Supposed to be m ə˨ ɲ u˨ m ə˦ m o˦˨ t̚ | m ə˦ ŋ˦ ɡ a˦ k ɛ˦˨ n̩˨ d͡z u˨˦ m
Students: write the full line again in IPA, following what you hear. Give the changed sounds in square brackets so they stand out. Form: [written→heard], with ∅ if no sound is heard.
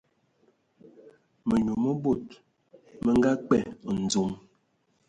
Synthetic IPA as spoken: m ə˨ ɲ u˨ m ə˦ [m→b] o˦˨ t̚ | m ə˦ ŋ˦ ɡ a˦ [k→k͡p] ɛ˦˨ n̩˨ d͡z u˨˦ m

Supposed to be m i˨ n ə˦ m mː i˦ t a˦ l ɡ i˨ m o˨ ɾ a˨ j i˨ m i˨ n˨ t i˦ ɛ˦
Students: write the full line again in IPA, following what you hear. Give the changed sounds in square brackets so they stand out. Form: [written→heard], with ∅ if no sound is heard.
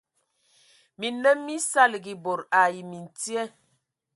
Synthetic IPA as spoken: m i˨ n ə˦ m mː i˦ [t→s] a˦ l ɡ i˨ [m→b] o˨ ɾ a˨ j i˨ m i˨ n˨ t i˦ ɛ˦

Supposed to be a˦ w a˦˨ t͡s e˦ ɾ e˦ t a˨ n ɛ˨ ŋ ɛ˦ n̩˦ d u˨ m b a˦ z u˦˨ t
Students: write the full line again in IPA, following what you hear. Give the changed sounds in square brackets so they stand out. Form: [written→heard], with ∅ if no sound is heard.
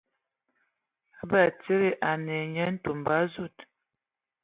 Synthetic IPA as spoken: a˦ [w→b] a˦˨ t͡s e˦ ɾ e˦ [t→ʔ] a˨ n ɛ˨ [ŋ→ɲ] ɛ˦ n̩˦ [d→t] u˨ m b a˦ z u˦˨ t

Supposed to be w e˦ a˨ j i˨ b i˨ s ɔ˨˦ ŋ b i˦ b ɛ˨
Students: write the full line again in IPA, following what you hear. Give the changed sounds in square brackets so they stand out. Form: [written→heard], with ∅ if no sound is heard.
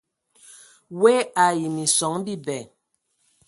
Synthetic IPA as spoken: w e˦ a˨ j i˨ [b→m] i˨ s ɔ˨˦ ŋ b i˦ b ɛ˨

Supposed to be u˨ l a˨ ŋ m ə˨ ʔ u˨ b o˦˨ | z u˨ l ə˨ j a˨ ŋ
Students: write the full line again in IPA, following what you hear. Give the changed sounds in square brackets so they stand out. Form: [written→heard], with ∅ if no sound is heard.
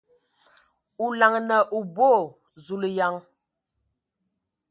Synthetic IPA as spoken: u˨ l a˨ ŋ [m→n] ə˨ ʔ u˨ b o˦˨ | z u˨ l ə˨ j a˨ ŋ

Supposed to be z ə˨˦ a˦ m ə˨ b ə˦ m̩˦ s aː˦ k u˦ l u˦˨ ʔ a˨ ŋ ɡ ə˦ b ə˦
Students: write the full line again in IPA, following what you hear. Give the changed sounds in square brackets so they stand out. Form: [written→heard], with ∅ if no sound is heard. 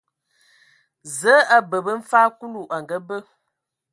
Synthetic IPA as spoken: z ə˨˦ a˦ [m→b] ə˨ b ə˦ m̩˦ [s→f] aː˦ k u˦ l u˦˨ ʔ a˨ ŋ ɡ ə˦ b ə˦

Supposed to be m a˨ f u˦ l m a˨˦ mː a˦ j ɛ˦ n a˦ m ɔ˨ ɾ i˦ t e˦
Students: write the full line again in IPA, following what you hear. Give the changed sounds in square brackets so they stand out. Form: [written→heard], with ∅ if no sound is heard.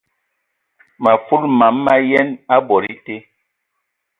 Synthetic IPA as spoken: m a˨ f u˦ l m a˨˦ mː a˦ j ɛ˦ n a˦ [m→b] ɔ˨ ɾ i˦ t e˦

